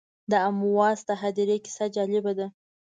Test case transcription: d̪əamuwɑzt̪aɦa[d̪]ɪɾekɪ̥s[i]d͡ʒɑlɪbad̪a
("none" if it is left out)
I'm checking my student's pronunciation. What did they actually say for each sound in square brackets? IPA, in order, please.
d̪, a

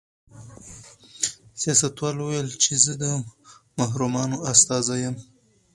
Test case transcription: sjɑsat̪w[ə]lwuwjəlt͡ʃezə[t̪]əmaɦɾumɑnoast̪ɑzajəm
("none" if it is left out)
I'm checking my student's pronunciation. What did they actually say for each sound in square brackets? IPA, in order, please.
ɑ, d̪

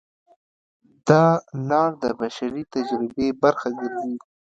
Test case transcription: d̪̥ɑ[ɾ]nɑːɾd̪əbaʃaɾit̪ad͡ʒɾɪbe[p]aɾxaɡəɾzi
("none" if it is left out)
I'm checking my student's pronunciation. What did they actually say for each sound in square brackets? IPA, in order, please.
none, b

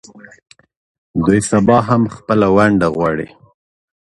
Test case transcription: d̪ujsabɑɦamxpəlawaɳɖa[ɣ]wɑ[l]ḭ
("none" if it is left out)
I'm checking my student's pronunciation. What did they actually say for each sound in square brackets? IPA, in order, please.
ɣ, ɽ

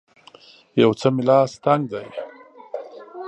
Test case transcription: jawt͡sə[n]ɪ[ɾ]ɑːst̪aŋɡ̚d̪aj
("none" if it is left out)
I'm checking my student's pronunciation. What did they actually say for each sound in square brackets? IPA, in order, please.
m, l

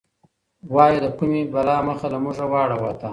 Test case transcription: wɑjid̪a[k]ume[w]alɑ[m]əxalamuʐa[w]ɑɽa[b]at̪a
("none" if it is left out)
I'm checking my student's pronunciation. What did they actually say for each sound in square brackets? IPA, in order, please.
k, b, m, w, w

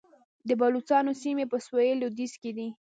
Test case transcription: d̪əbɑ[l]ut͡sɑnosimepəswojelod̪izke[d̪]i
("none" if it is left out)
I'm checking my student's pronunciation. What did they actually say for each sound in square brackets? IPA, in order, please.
l, d̪

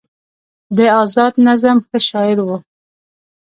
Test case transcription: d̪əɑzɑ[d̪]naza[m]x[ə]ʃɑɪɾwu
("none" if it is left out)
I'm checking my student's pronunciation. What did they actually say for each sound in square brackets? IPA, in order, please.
d̪, m, ə

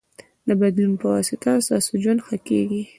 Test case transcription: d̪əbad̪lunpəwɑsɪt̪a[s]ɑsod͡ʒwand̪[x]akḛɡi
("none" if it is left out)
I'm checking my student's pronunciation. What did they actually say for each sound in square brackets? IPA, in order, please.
s, x

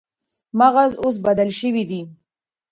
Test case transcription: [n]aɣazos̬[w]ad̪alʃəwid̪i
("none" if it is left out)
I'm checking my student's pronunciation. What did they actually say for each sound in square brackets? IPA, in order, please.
m, b

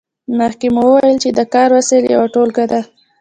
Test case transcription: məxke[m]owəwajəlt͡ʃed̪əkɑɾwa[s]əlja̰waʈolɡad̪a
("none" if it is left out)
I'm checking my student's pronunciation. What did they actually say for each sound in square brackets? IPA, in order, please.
m, s

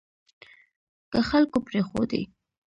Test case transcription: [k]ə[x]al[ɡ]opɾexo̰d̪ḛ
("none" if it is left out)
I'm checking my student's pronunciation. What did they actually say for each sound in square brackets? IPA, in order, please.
k, x, k

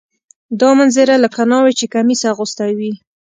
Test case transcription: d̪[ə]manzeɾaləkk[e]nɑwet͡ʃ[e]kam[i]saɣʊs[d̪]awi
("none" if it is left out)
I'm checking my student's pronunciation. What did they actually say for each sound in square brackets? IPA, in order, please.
ɑ, a, e, i, t̪

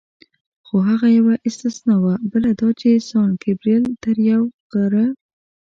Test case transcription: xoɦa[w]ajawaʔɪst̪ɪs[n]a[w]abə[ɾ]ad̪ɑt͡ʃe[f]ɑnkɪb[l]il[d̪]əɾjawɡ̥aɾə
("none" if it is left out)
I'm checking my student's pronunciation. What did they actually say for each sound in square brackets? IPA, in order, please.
ɣ, n, w, l, s, ɾ, t̪

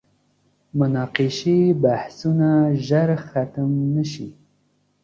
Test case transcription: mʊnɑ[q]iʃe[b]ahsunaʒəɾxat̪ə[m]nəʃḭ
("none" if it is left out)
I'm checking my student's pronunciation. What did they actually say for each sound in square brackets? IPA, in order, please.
q, b, m

